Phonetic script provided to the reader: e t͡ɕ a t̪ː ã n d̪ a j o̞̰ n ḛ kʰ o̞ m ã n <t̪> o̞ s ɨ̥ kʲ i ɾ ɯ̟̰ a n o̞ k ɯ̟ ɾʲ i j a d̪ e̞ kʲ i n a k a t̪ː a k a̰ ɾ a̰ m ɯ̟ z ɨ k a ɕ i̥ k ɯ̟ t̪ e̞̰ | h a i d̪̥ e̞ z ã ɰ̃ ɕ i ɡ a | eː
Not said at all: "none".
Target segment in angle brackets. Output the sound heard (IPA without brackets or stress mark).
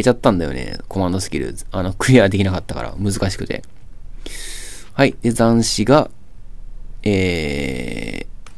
d̪